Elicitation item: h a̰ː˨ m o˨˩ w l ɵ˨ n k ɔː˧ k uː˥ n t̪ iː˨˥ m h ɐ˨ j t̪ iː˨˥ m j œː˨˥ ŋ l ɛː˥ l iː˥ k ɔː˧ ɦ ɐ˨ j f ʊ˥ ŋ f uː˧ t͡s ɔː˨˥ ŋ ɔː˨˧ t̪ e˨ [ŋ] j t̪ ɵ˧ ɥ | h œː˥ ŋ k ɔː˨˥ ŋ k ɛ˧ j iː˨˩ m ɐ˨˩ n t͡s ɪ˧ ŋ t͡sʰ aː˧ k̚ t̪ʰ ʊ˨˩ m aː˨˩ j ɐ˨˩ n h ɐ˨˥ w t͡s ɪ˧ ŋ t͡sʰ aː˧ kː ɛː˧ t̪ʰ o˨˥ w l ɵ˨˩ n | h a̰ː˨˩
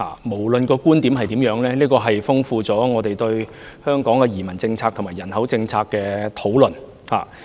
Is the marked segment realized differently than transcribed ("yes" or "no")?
yes